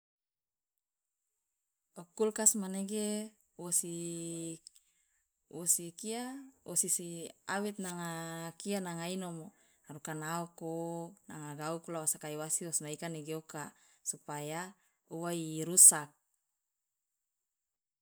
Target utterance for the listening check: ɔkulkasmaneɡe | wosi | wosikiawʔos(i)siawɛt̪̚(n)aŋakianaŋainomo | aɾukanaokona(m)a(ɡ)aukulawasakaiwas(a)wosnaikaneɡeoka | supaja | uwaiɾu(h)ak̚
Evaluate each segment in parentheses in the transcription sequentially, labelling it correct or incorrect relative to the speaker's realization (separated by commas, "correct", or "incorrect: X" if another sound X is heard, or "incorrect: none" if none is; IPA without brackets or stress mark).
correct, correct, incorrect: ŋ, correct, incorrect: i, incorrect: s